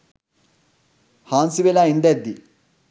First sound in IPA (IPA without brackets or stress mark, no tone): h